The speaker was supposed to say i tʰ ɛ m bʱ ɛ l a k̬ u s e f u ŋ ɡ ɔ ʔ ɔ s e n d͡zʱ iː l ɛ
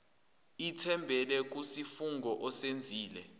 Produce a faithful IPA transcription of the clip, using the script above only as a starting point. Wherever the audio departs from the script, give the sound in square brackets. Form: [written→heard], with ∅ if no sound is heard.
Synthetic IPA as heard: i tʰ ɛ m bʱ ɛ l [a→ɛ] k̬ u s [e→i] f u ŋ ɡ ɔ ʔ ɔ s e n d͡zʱ iː l ɛ